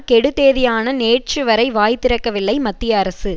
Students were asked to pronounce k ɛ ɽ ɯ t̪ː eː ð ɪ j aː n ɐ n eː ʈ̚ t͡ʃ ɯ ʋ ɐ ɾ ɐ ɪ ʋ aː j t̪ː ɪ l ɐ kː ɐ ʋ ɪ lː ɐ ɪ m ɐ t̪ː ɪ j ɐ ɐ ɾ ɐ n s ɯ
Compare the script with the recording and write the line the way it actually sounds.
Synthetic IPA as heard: k ɛ ɽ ɯ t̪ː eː ð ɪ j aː n ɐ n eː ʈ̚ t͡ʃ ɯ ʋ ɐ ɾ ɐ ɪ ʋ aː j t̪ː ɪ ɾ ɐ kː ɐ ʋ ɪ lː ɐ ɪ m ɐ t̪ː ɪ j ɐ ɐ ɾ ɐ s ɯ